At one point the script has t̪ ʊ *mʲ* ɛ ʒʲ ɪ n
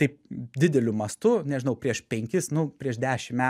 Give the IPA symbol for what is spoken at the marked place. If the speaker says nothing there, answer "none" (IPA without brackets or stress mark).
nʲ